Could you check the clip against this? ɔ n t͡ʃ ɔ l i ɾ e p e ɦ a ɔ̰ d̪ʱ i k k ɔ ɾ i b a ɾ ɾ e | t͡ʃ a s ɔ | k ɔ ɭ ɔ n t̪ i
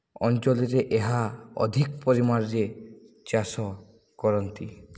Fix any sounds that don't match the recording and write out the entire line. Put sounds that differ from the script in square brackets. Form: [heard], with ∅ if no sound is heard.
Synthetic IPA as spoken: ɔ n t͡ʃ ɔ l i ɾ e [ʔ] e ɦ a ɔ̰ d̪ʱ i k [p] ɔ ɾ i [m] a ɾ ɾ e | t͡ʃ a s ɔ | k ɔ [ɾ] ɔ n t̪ i